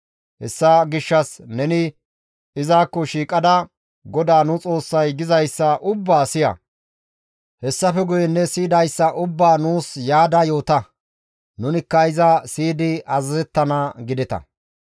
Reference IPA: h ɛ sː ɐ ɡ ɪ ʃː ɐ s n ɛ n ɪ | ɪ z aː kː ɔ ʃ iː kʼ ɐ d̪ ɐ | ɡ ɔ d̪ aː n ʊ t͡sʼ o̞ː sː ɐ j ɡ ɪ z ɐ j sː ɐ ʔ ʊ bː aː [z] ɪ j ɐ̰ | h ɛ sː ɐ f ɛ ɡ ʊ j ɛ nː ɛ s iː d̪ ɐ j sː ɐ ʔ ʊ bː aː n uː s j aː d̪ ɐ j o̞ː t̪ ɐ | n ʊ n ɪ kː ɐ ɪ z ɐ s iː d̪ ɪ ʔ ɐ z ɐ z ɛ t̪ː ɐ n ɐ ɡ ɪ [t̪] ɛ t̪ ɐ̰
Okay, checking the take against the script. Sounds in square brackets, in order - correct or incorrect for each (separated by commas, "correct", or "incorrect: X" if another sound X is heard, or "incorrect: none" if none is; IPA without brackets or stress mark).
incorrect: s, incorrect: d̪